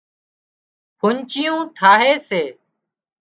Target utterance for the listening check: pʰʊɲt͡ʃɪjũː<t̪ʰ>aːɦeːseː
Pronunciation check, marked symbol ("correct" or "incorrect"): correct